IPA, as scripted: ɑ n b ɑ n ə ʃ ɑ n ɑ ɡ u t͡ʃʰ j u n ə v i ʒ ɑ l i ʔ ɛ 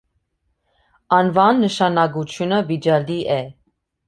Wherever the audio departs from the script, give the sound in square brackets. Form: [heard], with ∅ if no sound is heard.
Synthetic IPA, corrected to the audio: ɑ n [v] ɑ [nː] ə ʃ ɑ n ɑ ɡ u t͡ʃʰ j u n ə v i [d͡ʒ] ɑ l i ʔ ɛ